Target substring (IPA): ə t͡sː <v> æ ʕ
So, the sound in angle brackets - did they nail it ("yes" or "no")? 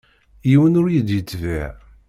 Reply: yes